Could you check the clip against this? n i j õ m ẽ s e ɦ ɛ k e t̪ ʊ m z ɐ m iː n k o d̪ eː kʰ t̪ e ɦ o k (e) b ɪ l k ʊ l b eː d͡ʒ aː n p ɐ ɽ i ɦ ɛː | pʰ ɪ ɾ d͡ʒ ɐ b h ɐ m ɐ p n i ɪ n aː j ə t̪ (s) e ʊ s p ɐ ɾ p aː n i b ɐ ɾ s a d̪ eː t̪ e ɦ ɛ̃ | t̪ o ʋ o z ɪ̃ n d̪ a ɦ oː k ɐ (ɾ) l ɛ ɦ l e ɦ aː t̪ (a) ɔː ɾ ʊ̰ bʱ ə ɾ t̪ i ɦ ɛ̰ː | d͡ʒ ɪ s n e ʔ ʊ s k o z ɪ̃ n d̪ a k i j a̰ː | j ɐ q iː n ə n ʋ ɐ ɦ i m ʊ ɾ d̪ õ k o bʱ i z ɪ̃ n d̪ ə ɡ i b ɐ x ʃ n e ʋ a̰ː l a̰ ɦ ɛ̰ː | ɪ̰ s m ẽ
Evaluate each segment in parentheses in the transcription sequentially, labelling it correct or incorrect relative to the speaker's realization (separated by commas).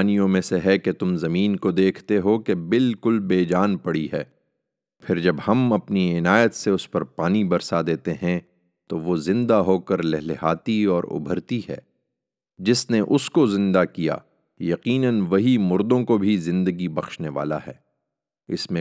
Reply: correct, correct, correct, incorrect